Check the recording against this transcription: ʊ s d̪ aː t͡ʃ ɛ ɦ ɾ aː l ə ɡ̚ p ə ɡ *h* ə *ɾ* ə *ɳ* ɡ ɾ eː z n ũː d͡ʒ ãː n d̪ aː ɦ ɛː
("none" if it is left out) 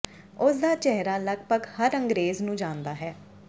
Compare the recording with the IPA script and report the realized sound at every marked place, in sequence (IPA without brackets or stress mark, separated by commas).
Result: h, ɾ, ŋ